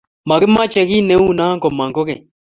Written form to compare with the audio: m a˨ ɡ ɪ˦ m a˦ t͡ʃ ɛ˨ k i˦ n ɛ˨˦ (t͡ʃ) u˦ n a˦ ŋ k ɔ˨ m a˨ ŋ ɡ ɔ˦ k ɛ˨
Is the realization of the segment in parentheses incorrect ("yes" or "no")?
yes